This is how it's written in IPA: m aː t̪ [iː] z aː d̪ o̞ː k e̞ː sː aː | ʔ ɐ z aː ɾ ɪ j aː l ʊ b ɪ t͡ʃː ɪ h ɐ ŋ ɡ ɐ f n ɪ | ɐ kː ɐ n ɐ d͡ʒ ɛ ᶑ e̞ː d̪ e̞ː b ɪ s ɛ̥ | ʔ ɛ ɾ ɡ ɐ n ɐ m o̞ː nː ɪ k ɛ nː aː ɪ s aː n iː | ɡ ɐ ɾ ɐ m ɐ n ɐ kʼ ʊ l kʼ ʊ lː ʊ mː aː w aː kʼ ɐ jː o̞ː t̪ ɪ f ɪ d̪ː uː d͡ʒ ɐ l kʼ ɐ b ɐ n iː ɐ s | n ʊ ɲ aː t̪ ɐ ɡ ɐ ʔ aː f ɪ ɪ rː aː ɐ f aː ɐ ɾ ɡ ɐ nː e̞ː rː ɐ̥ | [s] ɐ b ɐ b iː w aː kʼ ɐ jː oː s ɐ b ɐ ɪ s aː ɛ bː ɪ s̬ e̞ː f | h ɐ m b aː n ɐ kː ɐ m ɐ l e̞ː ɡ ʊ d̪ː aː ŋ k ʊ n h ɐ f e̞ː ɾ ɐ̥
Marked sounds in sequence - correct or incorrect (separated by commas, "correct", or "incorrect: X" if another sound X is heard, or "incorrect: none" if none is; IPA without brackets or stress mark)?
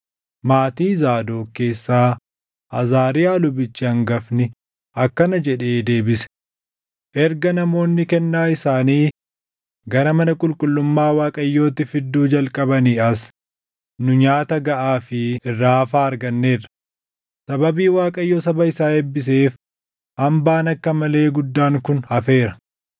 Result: correct, correct